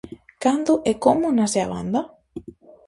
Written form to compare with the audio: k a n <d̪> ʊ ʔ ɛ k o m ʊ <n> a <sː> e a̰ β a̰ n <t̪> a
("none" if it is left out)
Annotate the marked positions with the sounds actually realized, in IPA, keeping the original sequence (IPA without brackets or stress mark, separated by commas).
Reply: d̪, n, s, d̪